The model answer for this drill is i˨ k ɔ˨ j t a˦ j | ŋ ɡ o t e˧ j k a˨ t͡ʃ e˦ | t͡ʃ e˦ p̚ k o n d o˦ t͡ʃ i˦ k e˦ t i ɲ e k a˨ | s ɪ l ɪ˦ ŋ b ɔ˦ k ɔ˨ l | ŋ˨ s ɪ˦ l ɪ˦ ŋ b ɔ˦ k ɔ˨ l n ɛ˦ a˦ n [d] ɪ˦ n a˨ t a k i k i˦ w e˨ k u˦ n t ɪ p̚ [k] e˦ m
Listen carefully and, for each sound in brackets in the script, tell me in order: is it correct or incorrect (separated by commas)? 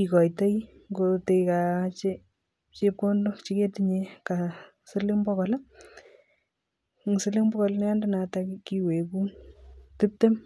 correct, incorrect